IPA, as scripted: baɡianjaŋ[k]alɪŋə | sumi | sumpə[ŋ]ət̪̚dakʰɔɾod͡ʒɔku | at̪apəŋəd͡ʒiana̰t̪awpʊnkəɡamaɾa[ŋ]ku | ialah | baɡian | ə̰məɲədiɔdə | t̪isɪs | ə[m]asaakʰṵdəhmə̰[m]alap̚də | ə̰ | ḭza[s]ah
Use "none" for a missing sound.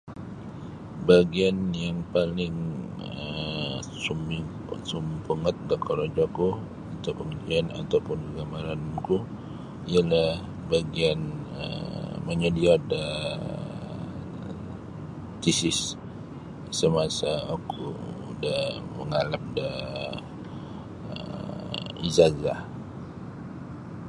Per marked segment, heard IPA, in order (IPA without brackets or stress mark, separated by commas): p, ŋ, n, m, ŋ, z